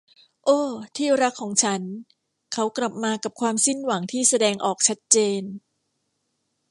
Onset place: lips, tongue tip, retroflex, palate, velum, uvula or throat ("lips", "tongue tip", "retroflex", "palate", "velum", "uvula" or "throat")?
throat